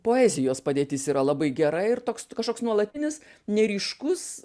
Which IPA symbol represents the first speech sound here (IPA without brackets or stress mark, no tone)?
p